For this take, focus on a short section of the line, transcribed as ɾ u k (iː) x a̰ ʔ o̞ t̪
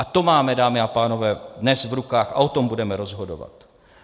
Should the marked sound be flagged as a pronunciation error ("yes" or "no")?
yes